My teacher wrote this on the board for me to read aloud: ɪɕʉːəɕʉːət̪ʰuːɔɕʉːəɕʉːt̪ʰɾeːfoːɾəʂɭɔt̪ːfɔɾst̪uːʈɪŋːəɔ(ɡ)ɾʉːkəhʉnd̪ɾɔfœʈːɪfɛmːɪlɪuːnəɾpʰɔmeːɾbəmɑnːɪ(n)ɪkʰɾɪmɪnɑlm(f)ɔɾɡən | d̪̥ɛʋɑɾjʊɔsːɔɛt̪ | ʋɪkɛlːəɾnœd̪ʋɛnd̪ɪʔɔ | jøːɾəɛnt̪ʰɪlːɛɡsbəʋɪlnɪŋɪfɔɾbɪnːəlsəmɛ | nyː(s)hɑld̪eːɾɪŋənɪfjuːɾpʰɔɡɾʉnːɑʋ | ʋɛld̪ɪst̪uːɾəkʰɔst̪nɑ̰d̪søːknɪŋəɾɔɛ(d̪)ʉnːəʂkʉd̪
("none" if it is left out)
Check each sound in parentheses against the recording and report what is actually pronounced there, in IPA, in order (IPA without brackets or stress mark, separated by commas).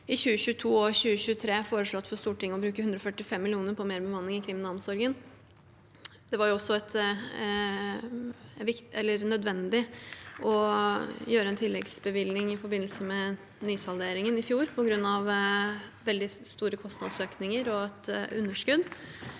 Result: b, ŋ, s, s, t̪